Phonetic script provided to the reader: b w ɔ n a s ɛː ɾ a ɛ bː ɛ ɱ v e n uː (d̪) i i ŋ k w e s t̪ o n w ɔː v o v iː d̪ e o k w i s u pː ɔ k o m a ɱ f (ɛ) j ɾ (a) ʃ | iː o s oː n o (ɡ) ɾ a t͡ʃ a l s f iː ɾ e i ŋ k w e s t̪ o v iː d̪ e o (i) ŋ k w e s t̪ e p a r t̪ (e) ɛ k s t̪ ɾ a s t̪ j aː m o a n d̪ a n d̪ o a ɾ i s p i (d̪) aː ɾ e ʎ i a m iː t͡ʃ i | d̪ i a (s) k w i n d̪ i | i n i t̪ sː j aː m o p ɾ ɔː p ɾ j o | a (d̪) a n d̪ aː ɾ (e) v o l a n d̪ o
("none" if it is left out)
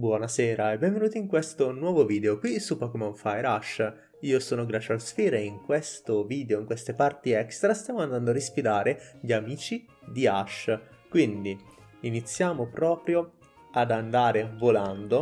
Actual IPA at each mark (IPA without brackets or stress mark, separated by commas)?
t̪, a, a, ɡ, i, i, d̪, ʃ, d̪, e